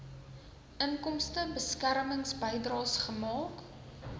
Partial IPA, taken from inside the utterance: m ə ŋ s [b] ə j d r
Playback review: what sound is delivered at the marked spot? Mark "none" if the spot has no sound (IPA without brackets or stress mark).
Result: b